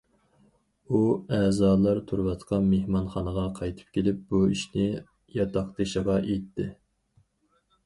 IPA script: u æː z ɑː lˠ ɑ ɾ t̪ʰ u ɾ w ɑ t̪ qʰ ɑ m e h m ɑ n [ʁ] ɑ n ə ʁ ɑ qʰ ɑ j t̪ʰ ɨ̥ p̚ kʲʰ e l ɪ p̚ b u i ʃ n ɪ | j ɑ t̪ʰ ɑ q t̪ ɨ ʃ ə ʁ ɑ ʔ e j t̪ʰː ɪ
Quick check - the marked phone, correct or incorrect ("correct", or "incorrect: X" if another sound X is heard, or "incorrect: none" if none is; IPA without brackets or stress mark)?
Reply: incorrect: χ